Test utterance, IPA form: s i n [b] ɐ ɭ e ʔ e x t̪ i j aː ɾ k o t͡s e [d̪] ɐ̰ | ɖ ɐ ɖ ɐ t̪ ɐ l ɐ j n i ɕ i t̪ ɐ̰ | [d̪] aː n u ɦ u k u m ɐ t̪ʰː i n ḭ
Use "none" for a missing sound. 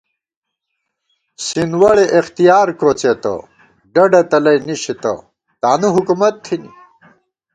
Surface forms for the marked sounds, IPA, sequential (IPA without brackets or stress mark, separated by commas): w, t̪, t̪